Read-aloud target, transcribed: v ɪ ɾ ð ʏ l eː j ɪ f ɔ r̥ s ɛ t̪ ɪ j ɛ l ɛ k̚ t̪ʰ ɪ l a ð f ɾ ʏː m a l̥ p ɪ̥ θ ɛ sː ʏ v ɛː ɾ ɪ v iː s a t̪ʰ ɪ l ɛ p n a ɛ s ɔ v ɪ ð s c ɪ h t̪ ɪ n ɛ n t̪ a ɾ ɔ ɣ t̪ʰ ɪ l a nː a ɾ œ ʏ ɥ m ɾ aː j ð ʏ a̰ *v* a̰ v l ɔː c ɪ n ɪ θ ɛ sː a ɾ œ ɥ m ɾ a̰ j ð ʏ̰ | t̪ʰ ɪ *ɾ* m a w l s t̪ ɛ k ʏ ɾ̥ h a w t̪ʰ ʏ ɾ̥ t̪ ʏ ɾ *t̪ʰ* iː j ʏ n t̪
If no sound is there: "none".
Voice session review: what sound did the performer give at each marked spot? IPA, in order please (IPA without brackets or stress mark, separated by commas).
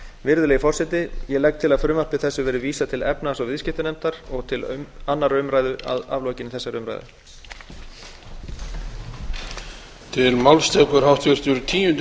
ð, l, t̪ʰ